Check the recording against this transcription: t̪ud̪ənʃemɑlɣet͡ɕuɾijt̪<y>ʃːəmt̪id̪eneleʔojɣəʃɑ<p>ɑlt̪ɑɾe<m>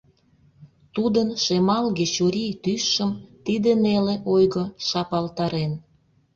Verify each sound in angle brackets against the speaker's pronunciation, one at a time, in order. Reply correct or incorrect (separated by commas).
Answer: correct, correct, incorrect